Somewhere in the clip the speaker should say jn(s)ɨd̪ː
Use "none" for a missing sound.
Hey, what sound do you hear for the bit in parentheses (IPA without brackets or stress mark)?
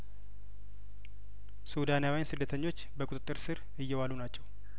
s